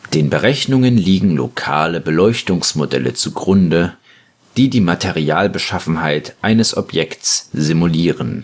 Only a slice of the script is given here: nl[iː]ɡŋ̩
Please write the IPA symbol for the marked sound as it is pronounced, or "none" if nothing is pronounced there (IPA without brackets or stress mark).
iː